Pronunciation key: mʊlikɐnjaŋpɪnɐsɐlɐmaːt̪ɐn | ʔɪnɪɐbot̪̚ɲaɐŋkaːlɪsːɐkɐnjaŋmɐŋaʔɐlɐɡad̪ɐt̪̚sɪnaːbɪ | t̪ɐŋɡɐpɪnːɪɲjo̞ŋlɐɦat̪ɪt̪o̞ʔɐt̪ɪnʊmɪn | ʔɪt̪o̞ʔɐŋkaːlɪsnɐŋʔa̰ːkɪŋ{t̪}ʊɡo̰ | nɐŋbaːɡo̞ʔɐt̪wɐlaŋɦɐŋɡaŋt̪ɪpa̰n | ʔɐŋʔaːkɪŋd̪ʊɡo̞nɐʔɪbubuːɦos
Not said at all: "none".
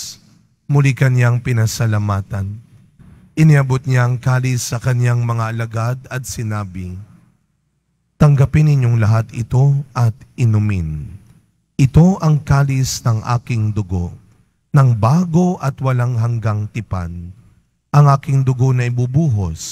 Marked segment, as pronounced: d̪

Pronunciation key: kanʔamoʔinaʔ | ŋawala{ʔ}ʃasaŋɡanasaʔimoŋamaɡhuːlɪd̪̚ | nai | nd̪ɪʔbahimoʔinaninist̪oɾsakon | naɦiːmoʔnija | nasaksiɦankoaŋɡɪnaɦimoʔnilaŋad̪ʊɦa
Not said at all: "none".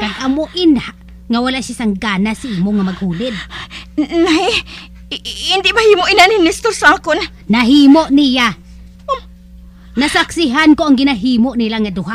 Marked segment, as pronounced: ʔ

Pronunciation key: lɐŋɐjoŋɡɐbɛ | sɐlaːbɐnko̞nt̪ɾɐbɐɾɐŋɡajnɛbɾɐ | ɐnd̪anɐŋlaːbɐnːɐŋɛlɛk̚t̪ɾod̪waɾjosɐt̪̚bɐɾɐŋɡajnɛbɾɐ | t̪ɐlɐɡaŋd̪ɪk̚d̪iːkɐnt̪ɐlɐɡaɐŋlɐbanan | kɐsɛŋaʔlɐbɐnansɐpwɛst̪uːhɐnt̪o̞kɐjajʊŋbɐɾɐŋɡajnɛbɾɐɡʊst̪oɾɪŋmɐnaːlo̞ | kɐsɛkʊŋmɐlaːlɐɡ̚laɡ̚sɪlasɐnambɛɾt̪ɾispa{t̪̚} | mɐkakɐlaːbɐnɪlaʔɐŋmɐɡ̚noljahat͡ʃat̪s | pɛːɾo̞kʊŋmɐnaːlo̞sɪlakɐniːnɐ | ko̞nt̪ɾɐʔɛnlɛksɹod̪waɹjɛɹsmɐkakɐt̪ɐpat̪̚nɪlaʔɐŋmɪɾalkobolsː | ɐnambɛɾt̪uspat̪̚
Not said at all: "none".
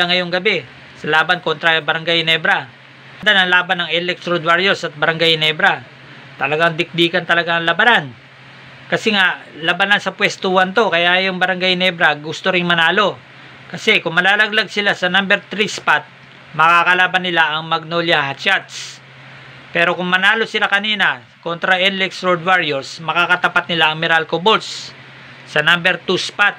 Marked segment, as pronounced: t̪̚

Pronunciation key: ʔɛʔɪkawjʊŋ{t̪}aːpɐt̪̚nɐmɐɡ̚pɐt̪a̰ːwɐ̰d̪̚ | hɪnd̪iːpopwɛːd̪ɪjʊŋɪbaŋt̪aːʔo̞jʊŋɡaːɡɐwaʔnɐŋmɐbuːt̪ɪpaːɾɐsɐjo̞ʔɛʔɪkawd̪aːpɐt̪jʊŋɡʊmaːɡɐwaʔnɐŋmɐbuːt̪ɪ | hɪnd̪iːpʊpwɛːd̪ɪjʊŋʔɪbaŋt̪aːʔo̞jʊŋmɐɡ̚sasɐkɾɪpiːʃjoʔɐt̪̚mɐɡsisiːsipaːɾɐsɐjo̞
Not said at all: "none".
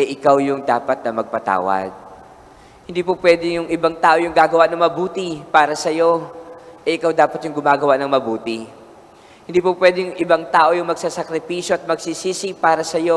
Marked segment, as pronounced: d̪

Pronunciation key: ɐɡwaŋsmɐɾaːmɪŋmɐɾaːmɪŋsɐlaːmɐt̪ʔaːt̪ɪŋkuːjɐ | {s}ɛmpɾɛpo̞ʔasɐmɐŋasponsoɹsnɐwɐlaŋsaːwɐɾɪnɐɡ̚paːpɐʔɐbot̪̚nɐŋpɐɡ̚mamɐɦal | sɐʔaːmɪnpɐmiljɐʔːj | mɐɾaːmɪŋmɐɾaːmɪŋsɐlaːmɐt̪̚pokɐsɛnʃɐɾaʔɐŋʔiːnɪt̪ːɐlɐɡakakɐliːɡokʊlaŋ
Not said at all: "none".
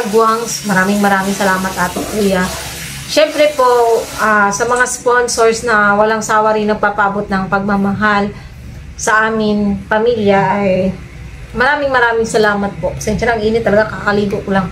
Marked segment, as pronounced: ʃ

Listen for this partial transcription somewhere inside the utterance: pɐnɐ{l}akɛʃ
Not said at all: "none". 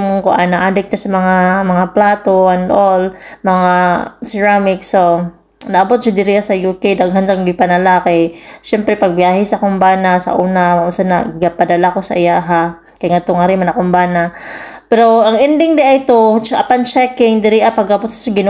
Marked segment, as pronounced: l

